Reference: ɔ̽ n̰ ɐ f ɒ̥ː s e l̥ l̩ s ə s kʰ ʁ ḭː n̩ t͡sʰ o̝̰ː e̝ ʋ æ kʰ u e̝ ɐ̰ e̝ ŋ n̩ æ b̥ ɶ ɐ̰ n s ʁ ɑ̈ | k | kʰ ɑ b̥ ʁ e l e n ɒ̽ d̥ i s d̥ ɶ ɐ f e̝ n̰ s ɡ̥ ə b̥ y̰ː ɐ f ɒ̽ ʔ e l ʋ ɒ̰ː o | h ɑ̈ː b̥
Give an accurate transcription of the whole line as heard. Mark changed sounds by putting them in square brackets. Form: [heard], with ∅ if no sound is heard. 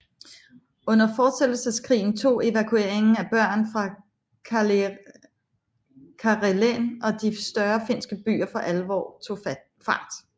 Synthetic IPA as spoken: ɔ̽ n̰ ɐ f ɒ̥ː s e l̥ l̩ s ə s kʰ ʁ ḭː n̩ t͡sʰ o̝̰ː e̝ ʋ æ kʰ u e̝ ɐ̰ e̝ ŋ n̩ æ b̥ ɶ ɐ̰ n [f] ʁ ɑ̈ | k | kʰ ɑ [∅] ʁ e l e n ɒ̽ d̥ i s d̥ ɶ ɐ f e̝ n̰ s ɡ̥ ə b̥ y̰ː ɐ f ɒ̽ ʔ [æ] l ʋ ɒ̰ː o | [f] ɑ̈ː [d̥]

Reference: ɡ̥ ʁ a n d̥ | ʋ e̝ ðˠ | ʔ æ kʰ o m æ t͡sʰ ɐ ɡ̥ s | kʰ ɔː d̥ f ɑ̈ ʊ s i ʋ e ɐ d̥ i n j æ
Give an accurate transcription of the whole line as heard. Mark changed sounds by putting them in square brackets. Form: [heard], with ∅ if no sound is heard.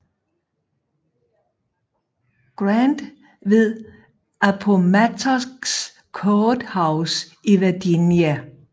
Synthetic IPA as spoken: ɡ̥ ʁ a n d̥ | ʋ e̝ ðˠ | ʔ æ [pʰ] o m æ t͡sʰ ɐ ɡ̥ s | kʰ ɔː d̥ [h] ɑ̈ ʊ s i ʋ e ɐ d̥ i n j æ

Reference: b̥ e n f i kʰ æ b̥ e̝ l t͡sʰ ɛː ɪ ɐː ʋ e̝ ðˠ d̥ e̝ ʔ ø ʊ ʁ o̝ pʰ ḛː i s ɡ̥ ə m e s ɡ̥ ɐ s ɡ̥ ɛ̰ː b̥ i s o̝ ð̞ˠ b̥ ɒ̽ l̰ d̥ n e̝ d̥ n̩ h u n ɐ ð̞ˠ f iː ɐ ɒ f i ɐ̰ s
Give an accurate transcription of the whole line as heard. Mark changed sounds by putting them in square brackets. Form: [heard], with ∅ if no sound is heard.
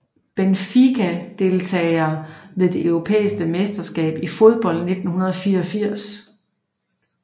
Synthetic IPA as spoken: b̥ e n f i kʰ æ [d̥] e̝ l t͡sʰ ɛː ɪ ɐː ʋ e̝ ðˠ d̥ e̝ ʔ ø ʊ ʁ o̝ pʰ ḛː i s ɡ̥ ə m e s [d̥] ɐ s ɡ̥ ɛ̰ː b̥ i [f] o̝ ð̞ˠ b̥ ɒ̽ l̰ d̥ n e̝ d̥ n̩ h u n ɐ ð̞ˠ f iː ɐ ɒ f i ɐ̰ s

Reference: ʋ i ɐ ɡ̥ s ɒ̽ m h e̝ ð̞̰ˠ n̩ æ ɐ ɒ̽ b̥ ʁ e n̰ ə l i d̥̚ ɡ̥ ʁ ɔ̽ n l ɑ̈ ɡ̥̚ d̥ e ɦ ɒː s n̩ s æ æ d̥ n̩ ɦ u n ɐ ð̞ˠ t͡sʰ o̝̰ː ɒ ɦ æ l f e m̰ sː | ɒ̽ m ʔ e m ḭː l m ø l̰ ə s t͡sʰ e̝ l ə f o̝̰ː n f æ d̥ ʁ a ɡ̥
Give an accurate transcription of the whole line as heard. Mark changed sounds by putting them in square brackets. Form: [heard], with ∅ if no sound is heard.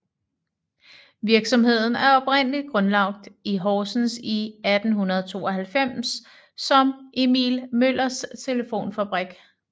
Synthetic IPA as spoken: ʋ i ɐ ɡ̥ s ɒ̽ m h e̝ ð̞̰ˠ n̩ æ ɐ ɒ̽ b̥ ʁ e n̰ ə l i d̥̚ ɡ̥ ʁ ɔ̽ n l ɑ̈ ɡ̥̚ d̥ [i] ɦ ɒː s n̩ s [i] æ d̥ n̩ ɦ u n ɐ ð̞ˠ t͡sʰ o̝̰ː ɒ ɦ æ l f e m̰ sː | ɒ̽ m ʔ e m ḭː l m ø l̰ [ɐ] s t͡sʰ e̝ l ə f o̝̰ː n f æ [b̥] ʁ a ɡ̥

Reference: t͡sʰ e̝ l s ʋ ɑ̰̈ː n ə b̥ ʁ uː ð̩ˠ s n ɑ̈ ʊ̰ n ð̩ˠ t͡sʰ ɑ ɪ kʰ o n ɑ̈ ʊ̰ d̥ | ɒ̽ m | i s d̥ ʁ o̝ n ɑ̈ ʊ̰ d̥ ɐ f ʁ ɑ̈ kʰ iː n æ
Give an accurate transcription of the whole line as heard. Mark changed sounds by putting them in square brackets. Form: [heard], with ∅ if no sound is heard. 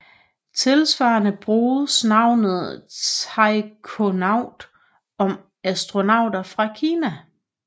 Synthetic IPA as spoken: t͡sʰ e̝ l s ʋ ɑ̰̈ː n ə b̥ ʁ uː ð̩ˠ s n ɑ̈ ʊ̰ n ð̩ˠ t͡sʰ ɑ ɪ kʰ o n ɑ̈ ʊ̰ d̥ | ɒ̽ m | [æ] s d̥ ʁ o̝ n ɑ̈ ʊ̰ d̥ ɐ f ʁ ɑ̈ kʰ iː n æ

